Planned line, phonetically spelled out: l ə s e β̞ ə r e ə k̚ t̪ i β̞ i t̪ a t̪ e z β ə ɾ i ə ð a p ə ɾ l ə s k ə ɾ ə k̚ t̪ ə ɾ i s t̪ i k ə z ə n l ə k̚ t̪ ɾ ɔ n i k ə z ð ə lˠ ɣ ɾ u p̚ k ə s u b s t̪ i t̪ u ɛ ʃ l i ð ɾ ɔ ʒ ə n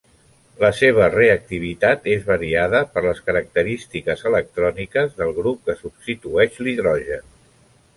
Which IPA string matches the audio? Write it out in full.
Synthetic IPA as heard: l ə s e β̞ ə r e ə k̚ t̪ i β̞ i t̪ a t̪ e z β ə ɾ i a ð ə p ə ɾ l ə s k ə ɾ ə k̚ t̪ ə ɾ i s t̪ i k ə z ə l ə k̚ t̪ ɾ ɔ n i k ə z ð ə lˠ ɣ ɾ u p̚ k ə s u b s t̪ i t̪ u ɛ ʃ l i ð ɾ ɔ ʒ ə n